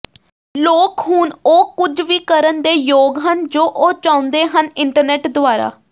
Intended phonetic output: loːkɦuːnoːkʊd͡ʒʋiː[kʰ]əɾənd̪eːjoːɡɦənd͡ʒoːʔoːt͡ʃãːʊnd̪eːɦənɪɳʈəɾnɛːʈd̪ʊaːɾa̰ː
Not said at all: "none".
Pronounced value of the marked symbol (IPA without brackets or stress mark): k